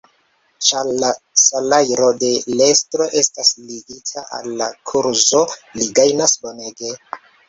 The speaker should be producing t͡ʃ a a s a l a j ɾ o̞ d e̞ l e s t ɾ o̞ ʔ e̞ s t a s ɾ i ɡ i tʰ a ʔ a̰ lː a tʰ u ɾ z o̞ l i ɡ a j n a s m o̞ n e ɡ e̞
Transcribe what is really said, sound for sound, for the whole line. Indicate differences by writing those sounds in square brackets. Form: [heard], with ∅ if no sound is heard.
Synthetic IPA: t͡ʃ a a s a l a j ɾ o̞ d e̞ l e s t ɾ o̞ ʔ e̞ s t a s [l] i ɡ i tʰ a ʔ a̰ lː a [kʰ] u ɾ z o̞ l i ɡ a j n a s [b] o̞ n e ɡ e̞